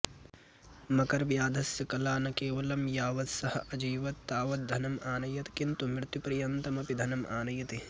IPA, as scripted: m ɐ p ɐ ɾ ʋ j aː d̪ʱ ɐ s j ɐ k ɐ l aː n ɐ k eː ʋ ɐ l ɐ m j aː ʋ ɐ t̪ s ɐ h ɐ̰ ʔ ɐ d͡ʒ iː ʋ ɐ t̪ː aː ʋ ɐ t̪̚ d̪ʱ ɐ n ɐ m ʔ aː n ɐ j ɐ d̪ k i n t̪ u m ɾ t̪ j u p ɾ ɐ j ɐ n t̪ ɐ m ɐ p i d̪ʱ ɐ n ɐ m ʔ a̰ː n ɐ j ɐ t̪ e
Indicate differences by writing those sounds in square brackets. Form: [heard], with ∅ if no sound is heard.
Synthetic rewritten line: m ɐ [k] ɐ ɾ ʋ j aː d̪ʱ ɐ s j ɐ k ɐ l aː n ɐ k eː ʋ ɐ l ɐ m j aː ʋ ɐ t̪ s ɐ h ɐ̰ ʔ ɐ d͡ʒ iː ʋ ɐ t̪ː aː ʋ ɐ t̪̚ d̪ʱ ɐ n ɐ m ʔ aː n ɐ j ɐ [t̪] k i n t̪ u m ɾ t̪ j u p ɾ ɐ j ɐ n t̪ ɐ m ɐ p i d̪ʱ ɐ n ɐ m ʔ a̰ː n ɐ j ɐ t̪ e